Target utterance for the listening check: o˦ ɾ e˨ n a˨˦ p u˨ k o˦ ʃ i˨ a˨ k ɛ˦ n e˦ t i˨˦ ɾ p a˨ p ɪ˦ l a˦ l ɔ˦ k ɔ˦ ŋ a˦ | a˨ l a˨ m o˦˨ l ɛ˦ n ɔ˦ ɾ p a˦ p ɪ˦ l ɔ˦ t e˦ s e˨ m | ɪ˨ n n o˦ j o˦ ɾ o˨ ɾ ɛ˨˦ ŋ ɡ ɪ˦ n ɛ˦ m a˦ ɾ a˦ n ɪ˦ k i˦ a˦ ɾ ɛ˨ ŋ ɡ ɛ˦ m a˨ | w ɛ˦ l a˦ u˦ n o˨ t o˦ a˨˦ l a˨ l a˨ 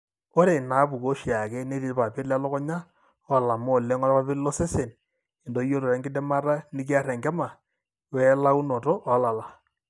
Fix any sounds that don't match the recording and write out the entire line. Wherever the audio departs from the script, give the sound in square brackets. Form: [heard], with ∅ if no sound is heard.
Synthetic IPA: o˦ ɾ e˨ n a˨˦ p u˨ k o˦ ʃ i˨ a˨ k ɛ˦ n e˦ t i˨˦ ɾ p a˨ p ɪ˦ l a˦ l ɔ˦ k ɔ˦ [ɲ] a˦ | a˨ l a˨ m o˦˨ l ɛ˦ [ŋ] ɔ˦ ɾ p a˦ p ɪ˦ l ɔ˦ [s] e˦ s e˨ [n] | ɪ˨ n [d] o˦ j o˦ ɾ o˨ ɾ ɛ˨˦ ŋ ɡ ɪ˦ [d] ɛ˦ m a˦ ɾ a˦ n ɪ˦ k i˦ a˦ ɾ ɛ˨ ŋ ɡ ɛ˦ m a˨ | w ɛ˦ l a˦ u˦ n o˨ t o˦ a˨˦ l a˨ l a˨

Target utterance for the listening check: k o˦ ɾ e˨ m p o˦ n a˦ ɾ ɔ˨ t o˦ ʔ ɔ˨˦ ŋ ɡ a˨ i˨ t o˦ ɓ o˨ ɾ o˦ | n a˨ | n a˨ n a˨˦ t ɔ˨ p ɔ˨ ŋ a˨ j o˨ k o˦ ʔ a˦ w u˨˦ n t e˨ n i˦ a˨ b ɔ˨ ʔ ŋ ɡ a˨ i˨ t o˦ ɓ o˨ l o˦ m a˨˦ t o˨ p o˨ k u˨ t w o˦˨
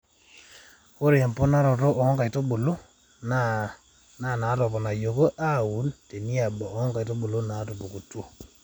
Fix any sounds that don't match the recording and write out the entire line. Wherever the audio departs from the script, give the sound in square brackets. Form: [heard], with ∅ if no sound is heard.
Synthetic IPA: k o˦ ɾ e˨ m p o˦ n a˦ ɾ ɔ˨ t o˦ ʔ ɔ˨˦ ŋ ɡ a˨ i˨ t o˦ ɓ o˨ [l] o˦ | n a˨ | n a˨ n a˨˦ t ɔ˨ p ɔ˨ [n] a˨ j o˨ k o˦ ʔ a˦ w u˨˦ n t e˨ n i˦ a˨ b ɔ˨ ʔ ŋ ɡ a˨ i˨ t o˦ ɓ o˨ l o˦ [n] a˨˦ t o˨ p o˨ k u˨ t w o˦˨

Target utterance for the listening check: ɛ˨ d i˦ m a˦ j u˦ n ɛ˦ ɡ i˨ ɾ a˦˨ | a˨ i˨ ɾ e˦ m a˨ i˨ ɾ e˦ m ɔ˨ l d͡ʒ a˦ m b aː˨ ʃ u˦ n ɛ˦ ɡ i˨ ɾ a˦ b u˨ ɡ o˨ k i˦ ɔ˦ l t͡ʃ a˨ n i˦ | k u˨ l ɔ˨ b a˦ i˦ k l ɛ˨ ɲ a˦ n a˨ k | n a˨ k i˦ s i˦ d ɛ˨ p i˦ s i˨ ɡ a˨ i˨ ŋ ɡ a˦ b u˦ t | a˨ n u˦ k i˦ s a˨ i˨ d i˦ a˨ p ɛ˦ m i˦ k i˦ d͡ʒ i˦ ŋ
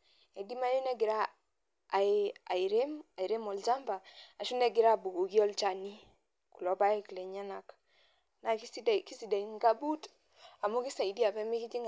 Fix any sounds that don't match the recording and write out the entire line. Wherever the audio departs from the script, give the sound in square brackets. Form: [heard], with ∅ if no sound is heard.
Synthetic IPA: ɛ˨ d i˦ m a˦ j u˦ n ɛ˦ ɡ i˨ ɾ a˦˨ | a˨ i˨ ɾ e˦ m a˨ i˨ ɾ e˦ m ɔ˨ l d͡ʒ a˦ m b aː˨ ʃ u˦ n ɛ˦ ɡ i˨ ɾ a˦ b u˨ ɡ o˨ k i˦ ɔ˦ l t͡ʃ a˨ n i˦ | k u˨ l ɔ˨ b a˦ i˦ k l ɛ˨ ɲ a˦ n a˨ k | n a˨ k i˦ s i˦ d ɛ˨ [k] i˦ s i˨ [d] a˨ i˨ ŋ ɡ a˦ b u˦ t | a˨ [m] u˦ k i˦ s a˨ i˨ d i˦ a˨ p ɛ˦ m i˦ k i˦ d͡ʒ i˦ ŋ

